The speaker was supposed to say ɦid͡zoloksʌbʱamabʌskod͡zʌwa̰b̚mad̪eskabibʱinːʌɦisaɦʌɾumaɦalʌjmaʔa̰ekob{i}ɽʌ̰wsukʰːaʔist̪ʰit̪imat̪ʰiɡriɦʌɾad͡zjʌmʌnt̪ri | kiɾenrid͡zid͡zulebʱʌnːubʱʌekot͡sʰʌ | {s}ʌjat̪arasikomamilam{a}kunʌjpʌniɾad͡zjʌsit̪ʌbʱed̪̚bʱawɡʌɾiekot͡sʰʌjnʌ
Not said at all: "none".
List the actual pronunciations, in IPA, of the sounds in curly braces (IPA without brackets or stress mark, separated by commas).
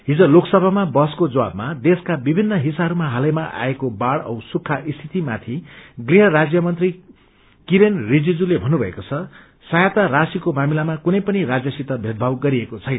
a, s, a